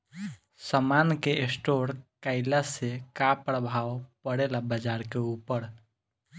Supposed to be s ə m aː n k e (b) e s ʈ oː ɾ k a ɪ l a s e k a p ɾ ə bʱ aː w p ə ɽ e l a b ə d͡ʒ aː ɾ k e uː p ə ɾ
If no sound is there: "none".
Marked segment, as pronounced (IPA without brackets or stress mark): none